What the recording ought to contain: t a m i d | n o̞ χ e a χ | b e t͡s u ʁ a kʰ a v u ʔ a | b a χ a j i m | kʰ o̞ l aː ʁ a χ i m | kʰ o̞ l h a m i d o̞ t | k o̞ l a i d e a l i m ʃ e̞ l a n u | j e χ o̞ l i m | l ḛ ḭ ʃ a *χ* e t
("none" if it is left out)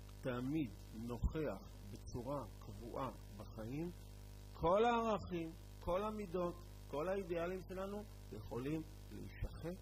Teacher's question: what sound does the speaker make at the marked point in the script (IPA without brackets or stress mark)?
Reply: χ